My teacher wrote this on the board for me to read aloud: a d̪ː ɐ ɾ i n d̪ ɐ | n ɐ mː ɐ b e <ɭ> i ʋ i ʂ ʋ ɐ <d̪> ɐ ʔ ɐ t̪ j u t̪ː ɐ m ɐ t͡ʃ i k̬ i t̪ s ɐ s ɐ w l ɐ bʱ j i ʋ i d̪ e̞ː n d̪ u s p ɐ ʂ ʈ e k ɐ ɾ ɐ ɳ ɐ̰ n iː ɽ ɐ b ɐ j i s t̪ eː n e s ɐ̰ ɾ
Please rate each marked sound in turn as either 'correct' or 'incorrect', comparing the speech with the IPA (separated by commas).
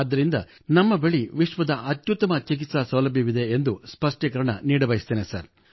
correct, correct